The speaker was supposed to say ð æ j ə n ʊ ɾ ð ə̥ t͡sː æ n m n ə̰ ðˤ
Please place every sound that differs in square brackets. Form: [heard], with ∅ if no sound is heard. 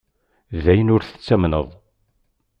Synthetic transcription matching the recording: ð æ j ə n ʊ ɾ [θ] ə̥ t͡sː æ [∅] m n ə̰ ðˤ